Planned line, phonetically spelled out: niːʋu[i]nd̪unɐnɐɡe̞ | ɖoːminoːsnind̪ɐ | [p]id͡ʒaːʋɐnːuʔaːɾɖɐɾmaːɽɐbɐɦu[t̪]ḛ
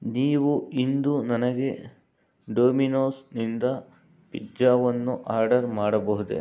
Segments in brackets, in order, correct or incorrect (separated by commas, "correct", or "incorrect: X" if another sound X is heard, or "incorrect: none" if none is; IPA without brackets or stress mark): correct, correct, incorrect: d̪